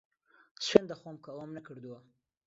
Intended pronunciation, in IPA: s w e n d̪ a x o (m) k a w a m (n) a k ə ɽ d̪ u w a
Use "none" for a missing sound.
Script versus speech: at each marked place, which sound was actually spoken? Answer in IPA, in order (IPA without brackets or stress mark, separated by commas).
m, n